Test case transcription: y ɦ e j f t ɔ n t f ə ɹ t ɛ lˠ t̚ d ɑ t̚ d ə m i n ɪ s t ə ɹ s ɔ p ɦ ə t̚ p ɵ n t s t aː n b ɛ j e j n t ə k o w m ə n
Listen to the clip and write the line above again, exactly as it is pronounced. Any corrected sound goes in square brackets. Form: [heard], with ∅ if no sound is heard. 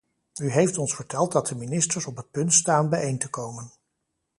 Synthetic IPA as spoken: y ɦ e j f t ɔ n [s] f ə ɹ t ɛ lˠ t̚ d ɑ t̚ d ə m i n ɪ s t ə ɹ s ɔ p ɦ ə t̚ p ɵ n t s t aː n b ɛ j e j n t ə k o w m ə n